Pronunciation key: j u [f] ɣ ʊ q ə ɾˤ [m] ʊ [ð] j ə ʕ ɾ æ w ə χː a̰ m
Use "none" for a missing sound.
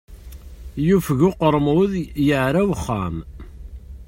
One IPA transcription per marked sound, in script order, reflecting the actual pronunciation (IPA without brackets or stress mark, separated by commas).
f, m, ð